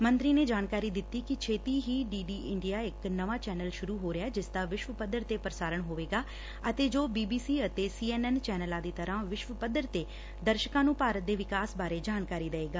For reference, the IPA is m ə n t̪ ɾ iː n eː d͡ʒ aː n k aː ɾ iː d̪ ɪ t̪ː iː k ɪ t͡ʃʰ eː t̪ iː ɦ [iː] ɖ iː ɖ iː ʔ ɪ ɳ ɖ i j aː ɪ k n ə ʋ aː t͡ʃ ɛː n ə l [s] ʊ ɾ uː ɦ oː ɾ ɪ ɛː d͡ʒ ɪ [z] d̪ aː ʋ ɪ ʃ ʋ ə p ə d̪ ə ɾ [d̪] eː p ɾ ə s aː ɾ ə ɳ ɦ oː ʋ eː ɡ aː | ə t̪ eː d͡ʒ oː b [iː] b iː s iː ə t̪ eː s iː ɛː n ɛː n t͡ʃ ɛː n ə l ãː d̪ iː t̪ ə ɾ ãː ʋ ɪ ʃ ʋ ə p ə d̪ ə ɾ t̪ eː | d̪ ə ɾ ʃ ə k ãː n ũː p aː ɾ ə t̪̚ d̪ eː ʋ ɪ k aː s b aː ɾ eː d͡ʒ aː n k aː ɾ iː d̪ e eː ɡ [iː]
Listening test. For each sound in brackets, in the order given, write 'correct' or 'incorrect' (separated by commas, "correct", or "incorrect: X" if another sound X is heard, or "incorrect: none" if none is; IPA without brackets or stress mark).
correct, incorrect: ʃ, incorrect: s, incorrect: t̪, correct, incorrect: aː